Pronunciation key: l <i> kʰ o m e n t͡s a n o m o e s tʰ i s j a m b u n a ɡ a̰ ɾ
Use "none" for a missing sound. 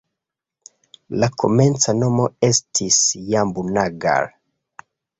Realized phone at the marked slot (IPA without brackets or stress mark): a